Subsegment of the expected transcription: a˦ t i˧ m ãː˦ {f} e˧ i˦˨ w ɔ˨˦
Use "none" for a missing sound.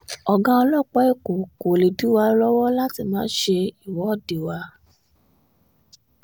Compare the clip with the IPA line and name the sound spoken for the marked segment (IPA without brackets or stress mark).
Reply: ʃ